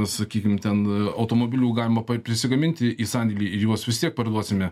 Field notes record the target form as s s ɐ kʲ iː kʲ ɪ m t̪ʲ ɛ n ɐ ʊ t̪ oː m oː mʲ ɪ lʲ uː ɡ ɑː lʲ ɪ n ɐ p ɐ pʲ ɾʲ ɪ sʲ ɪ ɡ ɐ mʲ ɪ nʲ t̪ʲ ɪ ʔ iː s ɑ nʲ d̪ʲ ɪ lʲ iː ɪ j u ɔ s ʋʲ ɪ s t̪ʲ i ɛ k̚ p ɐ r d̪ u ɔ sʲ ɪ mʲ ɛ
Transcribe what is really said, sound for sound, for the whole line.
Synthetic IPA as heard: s s ɐ kʲ iː kʲ ɪ m t̪ʲ ɛ n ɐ ʊ t̪ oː m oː bʲ ɪ lʲ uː ɡ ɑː lʲ ɪ m ɐ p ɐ pʲ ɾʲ ɪ sʲ ɪ ɡ ɐ mʲ ɪ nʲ t̪ʲ ɪ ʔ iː s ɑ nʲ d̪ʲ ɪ lʲ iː ɪ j u ɔ s ʋʲ ɪ s t̪ʲ i ɛ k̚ p ɐ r d̪ u ɔ sʲ ɪ mʲ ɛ